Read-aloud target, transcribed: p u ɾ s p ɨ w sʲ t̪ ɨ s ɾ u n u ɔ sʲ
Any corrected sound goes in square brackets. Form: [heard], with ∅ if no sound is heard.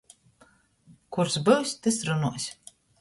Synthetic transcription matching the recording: [k] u ɾ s [b] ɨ w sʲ t̪ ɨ s ɾ u n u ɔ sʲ